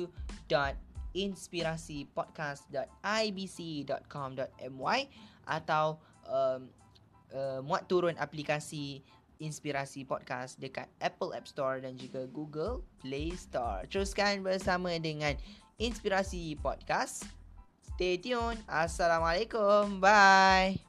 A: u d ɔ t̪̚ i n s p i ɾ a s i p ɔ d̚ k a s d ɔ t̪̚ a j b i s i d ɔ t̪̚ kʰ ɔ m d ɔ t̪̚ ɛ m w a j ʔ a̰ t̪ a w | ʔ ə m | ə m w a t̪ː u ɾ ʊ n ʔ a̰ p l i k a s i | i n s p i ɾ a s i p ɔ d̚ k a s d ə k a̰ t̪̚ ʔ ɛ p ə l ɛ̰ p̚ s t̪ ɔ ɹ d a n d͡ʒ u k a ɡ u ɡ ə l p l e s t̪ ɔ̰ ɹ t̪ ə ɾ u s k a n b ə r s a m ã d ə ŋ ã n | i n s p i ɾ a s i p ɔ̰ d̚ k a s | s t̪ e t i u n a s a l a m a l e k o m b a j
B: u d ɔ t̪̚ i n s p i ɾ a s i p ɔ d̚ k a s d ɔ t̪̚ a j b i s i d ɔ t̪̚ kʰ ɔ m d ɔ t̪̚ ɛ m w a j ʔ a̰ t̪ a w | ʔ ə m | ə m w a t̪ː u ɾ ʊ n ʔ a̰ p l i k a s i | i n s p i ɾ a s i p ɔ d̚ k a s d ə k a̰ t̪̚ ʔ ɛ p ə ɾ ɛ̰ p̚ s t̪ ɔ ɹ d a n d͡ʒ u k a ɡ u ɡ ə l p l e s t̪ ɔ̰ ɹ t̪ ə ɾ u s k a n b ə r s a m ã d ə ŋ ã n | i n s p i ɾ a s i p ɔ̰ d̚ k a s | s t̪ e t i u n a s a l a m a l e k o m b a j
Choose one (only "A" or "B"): A